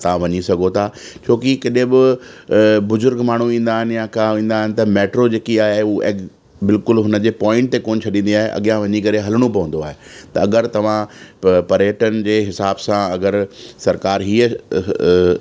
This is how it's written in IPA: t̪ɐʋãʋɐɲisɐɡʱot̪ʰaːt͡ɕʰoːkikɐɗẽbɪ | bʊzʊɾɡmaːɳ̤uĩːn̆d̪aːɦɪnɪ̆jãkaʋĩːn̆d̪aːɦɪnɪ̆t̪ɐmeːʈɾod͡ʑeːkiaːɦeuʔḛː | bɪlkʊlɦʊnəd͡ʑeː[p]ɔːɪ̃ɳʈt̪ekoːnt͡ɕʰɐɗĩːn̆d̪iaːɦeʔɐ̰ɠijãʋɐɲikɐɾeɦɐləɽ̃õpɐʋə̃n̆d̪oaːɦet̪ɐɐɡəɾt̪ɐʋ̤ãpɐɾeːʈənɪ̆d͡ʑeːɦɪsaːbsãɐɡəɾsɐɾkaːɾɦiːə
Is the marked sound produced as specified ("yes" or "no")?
yes